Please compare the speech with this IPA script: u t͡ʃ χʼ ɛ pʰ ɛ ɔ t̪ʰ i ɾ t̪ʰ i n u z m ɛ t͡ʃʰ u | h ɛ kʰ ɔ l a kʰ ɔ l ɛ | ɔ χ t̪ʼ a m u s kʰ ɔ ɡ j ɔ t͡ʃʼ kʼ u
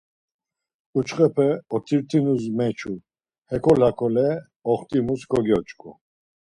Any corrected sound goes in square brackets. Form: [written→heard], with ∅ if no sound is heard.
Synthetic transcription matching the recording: u t͡ʃ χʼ ɛ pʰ ɛ ɔ t̪ʰ i ɾ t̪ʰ i n u z m ɛ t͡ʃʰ u | h ɛ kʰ ɔ l a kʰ ɔ l ɛ | ɔ χ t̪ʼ [a→i] m u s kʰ ɔ ɡ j ɔ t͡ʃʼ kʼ u